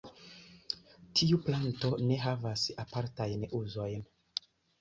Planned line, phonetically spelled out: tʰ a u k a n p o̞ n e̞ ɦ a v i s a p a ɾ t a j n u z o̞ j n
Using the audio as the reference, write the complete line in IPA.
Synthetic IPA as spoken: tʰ i u p a n t o̞ n e̞ ɦ a v a s a p a ɾ t a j n u z o̞ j n